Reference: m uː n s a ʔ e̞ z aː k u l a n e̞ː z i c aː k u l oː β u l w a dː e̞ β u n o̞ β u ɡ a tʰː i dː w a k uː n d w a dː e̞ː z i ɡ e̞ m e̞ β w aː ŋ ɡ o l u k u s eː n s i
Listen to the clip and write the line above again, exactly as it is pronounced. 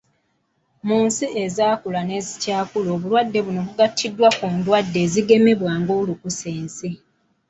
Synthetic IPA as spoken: m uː n s i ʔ e̞ z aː k u l a n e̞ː z i c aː k u l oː β u l w a dː e̞ β u n o̞ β u ɡ a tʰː i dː w a k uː n d w a dː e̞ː z i ɡ e̞ m e̞ β w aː ŋ ɡ o l u k u s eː n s i